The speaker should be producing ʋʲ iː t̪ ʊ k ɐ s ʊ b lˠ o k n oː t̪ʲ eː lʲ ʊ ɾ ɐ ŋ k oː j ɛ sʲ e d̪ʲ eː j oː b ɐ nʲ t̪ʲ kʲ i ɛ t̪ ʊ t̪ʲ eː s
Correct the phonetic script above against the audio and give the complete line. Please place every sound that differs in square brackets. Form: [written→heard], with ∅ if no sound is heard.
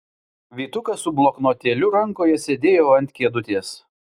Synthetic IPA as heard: ʋʲ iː t̪ ʊ k ɐ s ʊ b lˠ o k n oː t̪ʲ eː lʲ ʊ ɾ ɐ ŋ k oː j ɛ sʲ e d̪ʲ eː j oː [b→∅] ɐ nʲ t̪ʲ kʲ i ɛ [t̪→d̪] ʊ t̪ʲ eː s